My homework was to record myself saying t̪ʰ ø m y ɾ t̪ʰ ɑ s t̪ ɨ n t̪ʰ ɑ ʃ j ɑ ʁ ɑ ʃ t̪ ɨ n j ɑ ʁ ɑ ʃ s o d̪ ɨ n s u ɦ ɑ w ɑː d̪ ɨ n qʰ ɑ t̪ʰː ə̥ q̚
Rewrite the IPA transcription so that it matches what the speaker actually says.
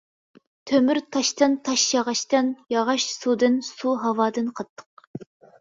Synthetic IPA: t̪ʰ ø m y ɾ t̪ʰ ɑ ʃ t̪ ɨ n t̪ʰ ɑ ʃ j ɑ ʁ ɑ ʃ t̪ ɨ n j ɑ ʁ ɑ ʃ s u d̪ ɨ n s u ɦ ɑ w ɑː d̪ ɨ n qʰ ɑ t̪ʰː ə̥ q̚